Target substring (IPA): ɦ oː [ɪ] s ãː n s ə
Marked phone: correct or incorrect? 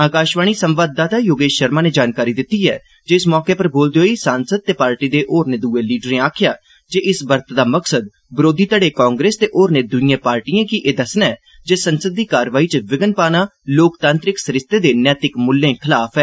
incorrect: i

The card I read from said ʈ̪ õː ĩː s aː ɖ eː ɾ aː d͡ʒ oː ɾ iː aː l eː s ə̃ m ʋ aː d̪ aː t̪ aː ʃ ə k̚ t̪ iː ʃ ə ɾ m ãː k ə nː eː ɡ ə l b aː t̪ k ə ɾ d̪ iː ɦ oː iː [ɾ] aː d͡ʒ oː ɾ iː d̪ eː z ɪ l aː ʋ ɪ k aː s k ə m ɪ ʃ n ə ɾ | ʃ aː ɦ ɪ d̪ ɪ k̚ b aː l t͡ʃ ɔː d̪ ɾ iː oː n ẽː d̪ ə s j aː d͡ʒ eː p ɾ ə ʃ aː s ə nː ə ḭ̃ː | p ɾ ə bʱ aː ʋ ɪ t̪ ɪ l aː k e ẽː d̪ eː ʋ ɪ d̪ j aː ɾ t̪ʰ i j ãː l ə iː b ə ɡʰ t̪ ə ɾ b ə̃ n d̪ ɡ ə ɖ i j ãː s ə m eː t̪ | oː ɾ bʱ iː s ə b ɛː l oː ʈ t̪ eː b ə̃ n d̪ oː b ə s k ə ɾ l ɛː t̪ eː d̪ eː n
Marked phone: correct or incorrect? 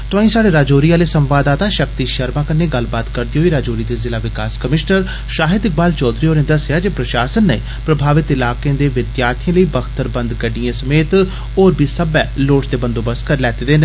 correct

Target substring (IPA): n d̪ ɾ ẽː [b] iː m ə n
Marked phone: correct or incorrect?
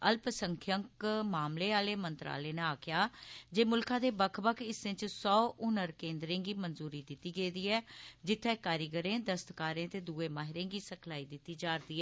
incorrect: ɡ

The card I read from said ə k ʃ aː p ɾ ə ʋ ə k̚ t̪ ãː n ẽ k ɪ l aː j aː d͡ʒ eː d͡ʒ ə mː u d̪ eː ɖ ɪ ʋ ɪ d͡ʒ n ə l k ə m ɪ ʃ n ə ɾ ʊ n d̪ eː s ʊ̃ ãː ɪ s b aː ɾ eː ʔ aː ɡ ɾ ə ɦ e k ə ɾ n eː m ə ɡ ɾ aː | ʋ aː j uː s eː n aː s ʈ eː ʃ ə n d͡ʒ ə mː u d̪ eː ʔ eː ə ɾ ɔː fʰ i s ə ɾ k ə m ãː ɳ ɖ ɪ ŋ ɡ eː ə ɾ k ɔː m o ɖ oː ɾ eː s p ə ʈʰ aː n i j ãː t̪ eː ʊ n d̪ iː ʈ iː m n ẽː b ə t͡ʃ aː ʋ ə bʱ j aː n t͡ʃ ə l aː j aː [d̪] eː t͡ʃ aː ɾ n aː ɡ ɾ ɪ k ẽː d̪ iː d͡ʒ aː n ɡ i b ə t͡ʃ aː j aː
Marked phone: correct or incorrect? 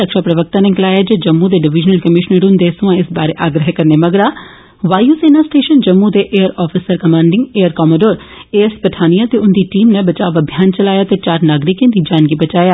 incorrect: t̪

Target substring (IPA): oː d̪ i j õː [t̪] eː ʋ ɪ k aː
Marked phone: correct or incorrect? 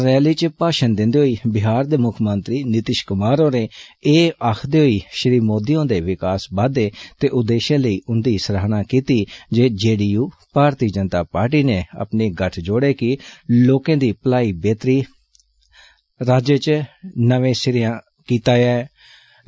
incorrect: d̪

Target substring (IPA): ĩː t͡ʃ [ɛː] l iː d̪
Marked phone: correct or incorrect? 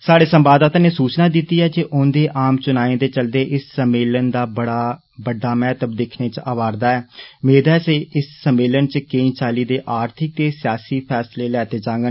incorrect: aː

